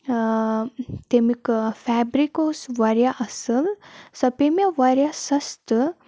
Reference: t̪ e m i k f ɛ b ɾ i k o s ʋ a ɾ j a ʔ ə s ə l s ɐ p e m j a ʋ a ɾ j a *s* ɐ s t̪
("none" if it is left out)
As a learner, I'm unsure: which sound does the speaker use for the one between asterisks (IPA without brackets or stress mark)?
s